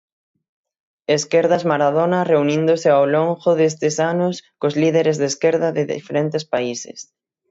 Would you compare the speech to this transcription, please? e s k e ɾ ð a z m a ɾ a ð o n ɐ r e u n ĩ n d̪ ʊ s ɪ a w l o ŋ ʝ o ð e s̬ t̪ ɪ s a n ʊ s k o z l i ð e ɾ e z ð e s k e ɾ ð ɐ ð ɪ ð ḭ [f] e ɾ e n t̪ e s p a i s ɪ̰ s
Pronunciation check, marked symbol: correct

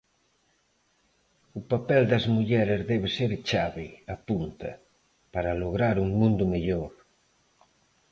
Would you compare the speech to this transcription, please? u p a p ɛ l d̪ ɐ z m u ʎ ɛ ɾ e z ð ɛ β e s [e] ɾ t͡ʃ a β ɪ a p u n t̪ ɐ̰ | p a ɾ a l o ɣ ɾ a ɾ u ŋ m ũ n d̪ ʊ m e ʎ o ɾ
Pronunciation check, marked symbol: correct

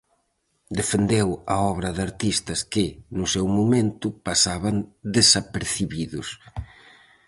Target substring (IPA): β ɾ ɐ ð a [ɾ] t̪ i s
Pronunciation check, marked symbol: correct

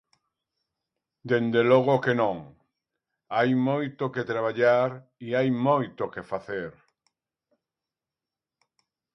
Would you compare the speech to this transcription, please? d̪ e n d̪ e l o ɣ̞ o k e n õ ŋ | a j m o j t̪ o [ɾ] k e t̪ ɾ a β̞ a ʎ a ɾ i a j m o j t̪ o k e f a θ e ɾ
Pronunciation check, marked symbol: incorrect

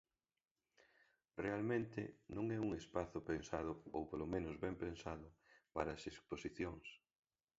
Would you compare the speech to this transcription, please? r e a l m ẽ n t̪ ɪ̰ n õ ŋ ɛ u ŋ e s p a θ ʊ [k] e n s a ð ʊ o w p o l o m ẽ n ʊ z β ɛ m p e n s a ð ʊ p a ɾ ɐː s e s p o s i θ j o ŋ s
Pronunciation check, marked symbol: incorrect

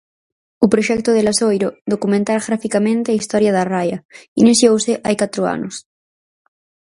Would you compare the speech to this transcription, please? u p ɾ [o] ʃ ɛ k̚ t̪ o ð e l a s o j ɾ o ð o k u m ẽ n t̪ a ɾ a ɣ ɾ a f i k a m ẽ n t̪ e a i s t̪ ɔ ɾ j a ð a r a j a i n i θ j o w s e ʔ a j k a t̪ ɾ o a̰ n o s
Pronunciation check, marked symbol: correct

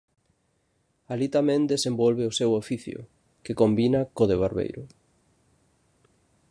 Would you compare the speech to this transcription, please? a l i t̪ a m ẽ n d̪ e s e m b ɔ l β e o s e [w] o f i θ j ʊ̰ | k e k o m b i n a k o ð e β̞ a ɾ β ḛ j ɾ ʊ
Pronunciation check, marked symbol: correct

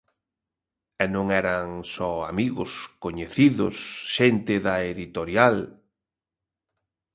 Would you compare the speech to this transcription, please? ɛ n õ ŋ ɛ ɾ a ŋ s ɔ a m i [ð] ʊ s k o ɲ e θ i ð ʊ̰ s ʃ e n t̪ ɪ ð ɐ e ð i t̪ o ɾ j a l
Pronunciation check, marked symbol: incorrect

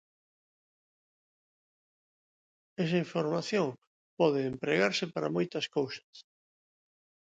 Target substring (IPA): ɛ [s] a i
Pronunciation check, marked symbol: correct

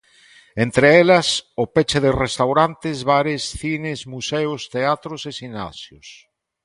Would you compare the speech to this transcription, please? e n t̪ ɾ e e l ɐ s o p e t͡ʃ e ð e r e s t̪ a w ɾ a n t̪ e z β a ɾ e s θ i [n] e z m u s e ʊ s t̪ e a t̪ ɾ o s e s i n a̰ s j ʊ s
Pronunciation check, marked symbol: correct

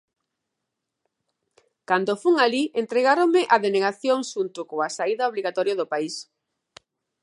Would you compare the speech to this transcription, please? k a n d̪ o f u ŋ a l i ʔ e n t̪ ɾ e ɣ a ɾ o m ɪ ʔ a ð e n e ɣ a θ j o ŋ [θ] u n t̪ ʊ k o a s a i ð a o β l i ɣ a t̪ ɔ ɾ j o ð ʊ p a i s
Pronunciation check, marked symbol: incorrect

